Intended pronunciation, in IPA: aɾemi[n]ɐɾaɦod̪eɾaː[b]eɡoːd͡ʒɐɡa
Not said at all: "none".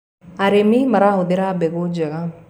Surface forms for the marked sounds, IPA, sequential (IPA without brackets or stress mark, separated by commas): m, b